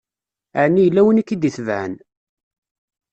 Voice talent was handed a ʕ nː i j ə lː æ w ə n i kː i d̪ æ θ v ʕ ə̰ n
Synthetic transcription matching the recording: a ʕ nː i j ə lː æ w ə n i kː i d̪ i θ v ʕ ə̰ n